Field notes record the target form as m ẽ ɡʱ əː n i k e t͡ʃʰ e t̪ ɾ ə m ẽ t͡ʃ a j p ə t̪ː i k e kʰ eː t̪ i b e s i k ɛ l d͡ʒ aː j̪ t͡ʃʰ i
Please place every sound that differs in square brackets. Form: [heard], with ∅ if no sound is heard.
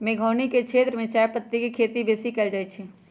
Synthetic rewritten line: m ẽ ɡʱ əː n i k e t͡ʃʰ e t̪ ɾ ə m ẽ t͡ʃ a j p ə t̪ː i k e kʰ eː t̪ i b e s i k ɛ l d͡ʒ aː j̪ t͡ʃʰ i